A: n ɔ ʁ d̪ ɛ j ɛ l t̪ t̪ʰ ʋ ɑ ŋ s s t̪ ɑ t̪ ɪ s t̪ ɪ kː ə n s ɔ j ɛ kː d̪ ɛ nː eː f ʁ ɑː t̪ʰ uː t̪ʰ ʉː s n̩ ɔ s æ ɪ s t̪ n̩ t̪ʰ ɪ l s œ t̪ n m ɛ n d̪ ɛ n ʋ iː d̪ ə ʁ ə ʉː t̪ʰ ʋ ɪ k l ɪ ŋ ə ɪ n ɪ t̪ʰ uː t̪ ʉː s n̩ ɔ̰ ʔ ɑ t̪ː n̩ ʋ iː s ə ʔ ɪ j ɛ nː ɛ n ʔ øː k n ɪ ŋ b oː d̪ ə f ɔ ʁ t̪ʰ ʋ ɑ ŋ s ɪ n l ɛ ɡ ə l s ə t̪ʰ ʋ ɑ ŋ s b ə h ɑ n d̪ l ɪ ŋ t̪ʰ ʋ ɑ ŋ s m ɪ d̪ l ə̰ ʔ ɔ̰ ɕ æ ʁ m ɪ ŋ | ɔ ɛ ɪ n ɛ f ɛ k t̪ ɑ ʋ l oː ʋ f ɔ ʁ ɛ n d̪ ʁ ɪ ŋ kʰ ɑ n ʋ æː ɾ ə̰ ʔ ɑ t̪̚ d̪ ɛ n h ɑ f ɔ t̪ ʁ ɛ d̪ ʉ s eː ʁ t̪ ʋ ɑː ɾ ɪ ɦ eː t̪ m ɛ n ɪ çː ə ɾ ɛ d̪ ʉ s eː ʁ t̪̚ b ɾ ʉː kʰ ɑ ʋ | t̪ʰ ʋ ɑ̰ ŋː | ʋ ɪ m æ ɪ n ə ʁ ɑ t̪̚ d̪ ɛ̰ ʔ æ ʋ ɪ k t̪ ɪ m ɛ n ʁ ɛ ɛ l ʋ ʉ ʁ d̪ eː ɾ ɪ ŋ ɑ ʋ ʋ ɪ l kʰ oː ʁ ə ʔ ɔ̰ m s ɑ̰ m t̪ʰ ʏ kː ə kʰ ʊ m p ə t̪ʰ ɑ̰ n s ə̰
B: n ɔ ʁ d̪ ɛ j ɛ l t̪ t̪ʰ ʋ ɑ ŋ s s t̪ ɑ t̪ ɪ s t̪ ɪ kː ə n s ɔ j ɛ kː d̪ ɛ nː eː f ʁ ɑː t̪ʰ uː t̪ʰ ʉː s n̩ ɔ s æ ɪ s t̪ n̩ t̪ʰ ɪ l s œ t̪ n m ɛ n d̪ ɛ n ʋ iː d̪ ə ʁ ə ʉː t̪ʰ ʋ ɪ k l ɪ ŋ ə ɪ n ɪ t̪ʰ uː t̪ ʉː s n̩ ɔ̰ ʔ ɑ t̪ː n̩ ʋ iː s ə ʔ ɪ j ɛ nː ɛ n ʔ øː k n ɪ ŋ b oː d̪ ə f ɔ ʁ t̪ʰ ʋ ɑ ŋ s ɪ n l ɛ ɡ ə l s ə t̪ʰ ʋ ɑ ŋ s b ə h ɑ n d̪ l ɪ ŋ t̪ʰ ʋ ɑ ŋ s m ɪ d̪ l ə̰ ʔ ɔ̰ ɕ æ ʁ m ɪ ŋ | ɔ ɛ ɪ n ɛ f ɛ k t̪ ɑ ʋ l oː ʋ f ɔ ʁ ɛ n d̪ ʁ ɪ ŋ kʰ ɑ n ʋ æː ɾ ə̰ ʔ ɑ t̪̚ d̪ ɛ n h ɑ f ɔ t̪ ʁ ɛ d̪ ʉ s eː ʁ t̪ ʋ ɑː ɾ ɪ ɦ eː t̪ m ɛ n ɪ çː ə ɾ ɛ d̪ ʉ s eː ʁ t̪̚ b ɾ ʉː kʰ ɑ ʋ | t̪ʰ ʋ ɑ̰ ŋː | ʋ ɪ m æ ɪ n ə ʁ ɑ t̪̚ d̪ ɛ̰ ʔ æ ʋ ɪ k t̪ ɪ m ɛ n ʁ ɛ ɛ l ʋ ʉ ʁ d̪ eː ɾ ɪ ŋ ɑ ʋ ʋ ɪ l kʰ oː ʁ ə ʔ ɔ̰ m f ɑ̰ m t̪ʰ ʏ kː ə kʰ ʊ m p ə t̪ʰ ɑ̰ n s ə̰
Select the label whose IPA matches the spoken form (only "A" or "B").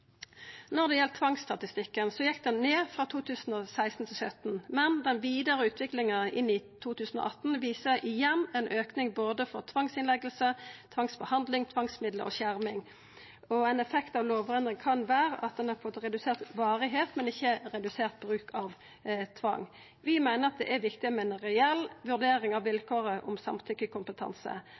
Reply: A